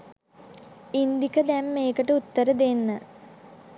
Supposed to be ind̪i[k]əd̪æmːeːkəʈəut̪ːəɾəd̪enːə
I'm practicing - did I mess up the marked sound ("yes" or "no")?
no